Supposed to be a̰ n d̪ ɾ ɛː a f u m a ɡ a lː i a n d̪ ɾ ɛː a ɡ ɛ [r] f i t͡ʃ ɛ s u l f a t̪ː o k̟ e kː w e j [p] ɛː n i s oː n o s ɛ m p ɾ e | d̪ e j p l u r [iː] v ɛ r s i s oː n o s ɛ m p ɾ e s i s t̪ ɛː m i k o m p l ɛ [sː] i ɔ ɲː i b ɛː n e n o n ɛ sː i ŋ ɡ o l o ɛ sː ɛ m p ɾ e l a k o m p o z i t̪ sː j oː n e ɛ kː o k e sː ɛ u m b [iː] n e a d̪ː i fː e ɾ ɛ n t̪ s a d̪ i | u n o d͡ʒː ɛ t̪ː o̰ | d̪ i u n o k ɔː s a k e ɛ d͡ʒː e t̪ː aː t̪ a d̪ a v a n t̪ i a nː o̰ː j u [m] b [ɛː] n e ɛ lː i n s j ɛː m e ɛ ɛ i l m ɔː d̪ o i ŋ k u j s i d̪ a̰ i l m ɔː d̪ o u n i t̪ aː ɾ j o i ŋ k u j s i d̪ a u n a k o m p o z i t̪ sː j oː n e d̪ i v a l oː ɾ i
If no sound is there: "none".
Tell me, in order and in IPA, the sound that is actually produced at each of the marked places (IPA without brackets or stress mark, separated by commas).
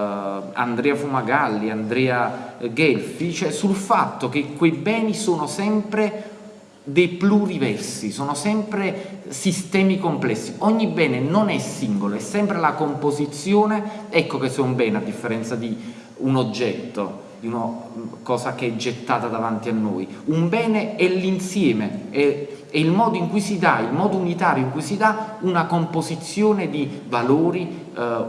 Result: l, b, i, sː, ɛː, m, ɛː